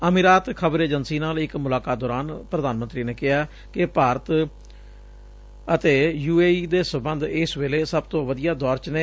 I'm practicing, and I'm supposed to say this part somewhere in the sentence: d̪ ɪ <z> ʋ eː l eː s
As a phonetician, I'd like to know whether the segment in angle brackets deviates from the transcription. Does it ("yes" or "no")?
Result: yes